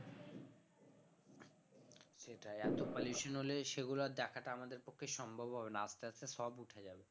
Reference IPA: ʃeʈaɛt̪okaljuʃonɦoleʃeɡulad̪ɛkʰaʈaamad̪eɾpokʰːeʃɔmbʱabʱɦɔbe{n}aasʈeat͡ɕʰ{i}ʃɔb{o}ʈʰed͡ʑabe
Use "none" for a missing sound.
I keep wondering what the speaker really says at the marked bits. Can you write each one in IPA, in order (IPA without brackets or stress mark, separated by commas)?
n, e, u